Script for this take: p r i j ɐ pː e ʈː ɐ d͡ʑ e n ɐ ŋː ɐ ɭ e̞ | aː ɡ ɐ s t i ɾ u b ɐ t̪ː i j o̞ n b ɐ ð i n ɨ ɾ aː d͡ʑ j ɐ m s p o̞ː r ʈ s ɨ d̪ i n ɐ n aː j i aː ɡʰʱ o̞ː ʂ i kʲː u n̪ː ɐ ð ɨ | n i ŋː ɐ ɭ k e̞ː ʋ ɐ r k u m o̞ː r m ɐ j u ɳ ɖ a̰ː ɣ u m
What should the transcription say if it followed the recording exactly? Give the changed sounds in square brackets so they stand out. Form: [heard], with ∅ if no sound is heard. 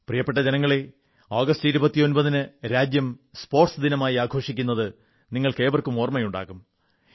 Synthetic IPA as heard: p r i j ɐ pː e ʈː ɐ d͡ʑ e n ɐ ŋː ɐ ɭ e̞ | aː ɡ ɐ s t i ɾ u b ɐ t̪ː i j o̞ n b ɐ ð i n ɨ ɾ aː d͡ʑ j ɐ m s p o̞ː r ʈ s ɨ d̪ i n ɐ [m] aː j i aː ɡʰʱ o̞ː ʂ i kʲː u n̪ː ɐ ð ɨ | n i ŋː ɐ ɭ k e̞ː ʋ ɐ r k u m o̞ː r m ɐ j u ɳ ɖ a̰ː ɣ u m